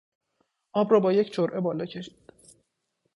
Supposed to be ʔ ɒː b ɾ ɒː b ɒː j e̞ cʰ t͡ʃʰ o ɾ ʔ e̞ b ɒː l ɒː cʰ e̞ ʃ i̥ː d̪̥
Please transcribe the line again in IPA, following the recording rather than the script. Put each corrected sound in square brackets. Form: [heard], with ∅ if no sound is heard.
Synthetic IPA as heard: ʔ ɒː b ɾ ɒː b ɒː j e̞ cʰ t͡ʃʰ o ɾ ʔ e̞ b ɒː l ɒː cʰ e̞ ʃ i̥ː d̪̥